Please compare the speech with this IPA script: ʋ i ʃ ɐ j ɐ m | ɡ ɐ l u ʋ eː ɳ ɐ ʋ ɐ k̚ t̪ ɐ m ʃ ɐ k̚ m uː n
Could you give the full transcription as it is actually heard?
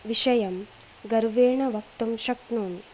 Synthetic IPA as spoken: ʋ i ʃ ɐ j ɐ m | ɡ ɐ ɾ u ʋ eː ɳ ɐ ʋ ɐ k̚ t̪ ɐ m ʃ ɐ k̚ n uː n